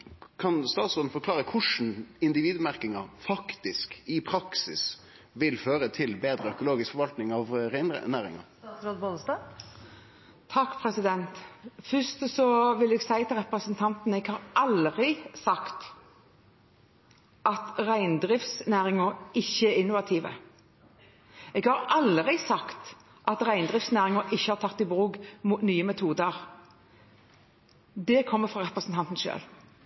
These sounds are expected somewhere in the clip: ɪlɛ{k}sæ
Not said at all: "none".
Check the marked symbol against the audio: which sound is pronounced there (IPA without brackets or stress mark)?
ɡ